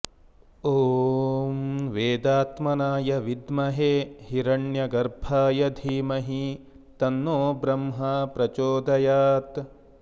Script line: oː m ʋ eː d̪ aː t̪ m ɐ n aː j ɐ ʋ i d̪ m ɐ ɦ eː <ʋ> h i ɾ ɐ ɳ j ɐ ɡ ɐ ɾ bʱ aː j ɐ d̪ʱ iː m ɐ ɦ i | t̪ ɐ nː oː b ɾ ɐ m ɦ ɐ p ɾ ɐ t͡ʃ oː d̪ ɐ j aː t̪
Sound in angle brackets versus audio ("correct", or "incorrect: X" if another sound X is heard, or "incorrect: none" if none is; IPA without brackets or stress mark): incorrect: none